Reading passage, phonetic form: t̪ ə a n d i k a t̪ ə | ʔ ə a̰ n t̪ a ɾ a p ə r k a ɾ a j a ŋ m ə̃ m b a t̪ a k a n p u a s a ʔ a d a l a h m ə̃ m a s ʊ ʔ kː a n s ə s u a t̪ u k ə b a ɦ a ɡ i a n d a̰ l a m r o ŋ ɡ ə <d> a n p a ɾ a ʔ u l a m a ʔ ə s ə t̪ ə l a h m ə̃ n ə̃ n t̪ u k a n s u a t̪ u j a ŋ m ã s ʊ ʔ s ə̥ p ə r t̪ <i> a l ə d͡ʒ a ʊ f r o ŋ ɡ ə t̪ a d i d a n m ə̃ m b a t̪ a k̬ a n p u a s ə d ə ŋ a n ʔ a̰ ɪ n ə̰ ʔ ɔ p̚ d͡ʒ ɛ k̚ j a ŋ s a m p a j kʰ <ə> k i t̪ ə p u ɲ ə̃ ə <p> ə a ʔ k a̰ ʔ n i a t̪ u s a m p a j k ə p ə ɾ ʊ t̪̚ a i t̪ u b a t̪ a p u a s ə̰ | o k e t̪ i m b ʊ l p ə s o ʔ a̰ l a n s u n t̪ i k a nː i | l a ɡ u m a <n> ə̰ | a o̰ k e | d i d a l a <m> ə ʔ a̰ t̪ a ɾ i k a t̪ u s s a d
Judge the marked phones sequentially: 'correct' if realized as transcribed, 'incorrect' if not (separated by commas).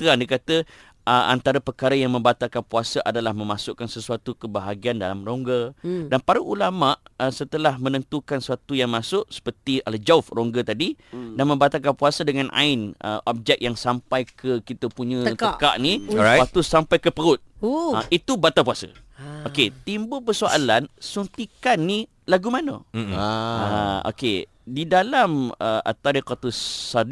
correct, correct, correct, incorrect, correct, correct